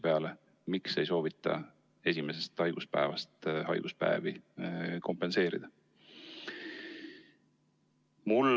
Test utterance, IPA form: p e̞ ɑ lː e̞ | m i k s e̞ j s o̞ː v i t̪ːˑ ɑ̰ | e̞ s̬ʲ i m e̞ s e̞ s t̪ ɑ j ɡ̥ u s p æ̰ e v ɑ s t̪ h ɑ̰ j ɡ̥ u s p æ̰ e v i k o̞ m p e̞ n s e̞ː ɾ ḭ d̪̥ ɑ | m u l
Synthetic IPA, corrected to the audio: p e̞ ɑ l e̞ | m i k s e̞ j s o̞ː v i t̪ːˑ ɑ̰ | e̞ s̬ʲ i m e̞ s e̞ s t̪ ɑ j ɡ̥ u s p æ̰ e v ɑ s t̪ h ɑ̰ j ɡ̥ u s p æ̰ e v i k o̞ m p e̞ n s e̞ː ɾ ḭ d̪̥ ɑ | m u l